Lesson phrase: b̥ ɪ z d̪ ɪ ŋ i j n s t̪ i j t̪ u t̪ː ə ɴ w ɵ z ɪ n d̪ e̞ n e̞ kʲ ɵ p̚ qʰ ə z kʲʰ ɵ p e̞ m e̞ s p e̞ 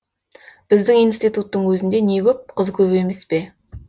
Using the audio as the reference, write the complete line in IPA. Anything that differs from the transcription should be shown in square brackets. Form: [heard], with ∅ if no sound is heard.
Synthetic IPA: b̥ ɪ z d̪ ɪ ŋ i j n s t̪ i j t̪ u t̪ː ə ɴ w ɵ z ɪ n d̪ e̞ n e̞ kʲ ɵ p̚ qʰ ə z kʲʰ ɵ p e̞ m e̞ s p e̞